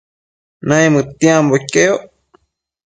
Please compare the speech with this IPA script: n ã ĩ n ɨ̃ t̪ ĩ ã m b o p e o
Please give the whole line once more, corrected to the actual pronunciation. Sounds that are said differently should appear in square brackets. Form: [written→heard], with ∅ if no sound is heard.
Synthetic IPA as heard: n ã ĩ [n→m] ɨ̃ t̪ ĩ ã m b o [p→k] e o